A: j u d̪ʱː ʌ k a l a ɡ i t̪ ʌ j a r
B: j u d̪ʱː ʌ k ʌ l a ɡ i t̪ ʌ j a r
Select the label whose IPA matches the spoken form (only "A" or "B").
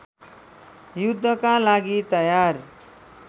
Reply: A